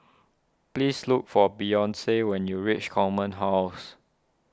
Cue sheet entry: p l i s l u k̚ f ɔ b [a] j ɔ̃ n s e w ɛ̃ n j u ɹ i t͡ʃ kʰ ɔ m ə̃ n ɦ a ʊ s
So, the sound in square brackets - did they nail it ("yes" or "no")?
no